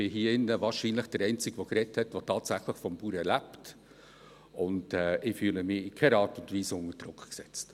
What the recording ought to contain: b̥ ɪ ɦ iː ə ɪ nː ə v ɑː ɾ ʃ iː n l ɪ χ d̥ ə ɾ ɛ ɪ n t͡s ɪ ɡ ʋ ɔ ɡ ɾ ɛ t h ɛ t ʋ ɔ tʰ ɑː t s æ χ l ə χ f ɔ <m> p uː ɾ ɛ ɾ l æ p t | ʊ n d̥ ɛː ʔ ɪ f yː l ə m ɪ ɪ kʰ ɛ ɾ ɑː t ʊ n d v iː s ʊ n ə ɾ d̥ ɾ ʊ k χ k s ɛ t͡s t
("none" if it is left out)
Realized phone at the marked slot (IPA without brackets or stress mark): m